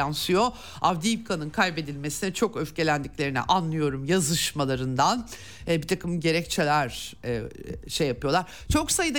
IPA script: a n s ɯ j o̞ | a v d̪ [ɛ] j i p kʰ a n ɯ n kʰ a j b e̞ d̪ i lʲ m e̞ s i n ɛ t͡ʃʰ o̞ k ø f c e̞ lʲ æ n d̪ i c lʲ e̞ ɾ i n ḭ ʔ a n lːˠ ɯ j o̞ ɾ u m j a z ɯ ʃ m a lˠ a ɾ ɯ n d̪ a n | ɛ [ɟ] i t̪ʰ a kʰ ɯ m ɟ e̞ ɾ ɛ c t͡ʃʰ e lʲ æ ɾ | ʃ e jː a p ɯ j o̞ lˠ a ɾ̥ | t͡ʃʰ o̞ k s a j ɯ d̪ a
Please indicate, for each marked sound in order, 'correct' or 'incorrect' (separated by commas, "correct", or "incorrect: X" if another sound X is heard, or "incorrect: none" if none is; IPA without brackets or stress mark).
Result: incorrect: i, incorrect: b